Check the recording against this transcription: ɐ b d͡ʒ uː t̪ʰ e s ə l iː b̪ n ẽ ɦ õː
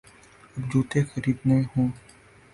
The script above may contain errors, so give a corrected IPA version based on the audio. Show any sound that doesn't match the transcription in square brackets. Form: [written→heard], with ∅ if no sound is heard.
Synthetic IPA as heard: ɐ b d͡ʒ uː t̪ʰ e [s→x] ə [l→ɾ] iː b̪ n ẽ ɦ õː